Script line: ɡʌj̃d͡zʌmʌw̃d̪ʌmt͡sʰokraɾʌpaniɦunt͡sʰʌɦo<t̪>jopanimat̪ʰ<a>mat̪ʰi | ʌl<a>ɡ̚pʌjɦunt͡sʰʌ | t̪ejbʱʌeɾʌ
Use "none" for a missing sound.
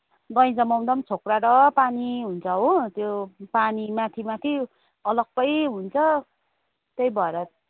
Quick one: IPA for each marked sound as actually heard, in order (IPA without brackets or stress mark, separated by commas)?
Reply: t̪, i, ʌ